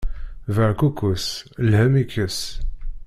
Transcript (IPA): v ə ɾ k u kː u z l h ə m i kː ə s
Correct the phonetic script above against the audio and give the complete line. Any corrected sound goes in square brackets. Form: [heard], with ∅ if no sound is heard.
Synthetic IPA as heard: v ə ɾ k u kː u [s] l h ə m i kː ə s